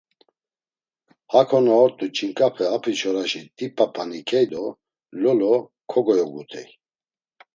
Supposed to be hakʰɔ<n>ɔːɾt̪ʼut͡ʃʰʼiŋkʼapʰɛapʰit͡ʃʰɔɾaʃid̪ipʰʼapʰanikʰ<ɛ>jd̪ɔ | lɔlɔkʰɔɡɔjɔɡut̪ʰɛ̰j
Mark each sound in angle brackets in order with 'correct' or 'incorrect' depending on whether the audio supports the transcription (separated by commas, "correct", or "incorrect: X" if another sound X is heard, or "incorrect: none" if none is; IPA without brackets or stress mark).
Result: correct, correct